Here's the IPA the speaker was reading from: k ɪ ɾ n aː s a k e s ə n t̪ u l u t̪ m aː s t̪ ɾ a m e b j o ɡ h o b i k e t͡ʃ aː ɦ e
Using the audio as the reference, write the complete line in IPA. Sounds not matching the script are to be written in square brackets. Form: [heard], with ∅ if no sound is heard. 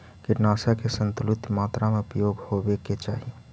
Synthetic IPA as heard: k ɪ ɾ n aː s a k e s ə n t̪ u l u t̪ m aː [∅] t̪ ɾ a m e [p] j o ɡ h o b [e] k e t͡ʃ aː ɦ [i]